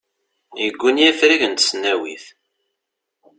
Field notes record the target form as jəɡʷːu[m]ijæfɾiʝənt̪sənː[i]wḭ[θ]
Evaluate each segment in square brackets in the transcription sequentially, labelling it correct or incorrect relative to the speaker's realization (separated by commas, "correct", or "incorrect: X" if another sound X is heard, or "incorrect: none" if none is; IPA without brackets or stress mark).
incorrect: n, incorrect: æ, correct